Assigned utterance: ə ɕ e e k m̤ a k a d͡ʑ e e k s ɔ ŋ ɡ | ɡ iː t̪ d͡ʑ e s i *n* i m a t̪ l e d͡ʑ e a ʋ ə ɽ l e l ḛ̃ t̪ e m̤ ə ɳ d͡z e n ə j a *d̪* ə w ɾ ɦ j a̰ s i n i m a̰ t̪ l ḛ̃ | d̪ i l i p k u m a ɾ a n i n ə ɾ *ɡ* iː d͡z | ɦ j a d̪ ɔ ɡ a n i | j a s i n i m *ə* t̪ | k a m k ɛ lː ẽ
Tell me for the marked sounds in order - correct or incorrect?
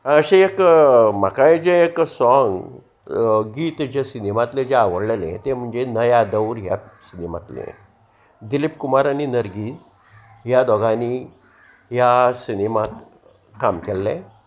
correct, correct, correct, incorrect: a

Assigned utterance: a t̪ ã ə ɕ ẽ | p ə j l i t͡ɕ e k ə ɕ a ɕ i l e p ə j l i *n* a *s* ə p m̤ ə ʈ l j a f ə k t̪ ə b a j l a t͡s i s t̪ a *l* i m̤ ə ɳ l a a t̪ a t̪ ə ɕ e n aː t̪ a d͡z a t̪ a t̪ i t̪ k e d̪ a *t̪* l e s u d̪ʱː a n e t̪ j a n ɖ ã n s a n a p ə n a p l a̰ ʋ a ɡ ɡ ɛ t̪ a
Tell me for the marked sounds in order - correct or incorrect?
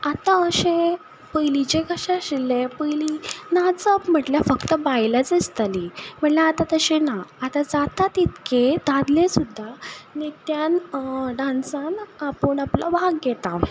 correct, incorrect: t͡s, correct, incorrect: d̪

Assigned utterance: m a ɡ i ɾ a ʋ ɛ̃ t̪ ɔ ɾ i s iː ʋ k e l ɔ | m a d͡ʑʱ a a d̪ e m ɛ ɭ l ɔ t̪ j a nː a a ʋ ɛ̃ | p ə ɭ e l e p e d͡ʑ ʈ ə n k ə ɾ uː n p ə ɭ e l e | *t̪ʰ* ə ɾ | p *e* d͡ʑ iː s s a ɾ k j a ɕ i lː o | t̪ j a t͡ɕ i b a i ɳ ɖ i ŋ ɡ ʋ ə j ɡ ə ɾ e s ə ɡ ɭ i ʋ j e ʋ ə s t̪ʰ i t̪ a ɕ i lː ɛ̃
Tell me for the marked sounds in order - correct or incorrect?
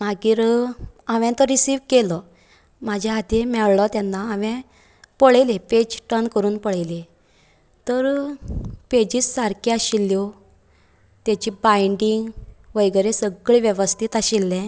incorrect: t̪, correct

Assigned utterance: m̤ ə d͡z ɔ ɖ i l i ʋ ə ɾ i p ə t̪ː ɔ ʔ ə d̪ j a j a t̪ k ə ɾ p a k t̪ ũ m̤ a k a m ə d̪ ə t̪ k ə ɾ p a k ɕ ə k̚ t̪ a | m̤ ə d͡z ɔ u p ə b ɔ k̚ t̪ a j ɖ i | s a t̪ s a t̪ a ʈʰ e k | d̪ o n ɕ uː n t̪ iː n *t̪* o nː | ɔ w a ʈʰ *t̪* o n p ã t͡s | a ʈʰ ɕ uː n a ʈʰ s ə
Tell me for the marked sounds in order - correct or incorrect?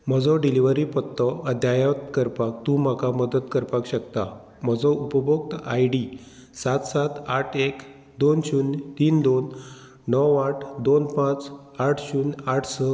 incorrect: d̪, incorrect: d̪

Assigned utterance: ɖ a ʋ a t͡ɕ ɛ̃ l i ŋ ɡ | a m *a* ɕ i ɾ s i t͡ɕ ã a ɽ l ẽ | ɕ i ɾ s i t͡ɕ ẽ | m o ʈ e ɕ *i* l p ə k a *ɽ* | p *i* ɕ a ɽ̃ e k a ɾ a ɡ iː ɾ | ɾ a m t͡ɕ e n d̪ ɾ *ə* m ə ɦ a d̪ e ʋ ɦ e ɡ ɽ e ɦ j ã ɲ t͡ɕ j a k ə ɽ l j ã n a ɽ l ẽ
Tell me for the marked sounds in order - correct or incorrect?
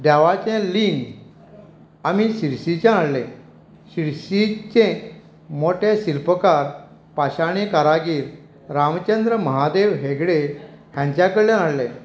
incorrect: i, correct, incorrect: ɾ, incorrect: a, correct

